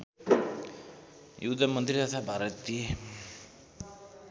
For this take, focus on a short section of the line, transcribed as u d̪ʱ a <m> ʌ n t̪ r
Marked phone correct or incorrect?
correct